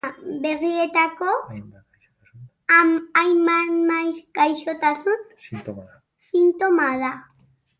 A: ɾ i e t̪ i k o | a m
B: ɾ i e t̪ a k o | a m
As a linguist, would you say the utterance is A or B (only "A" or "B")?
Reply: B